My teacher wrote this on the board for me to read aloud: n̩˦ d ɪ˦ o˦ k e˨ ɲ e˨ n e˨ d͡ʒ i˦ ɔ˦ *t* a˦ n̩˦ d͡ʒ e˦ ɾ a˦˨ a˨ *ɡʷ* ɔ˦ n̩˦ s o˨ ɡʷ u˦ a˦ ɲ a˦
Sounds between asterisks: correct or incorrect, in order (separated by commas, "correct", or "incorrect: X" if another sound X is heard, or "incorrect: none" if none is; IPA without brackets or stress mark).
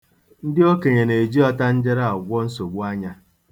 correct, correct